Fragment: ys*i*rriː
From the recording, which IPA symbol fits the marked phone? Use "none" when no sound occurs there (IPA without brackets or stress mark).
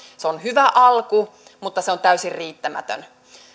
i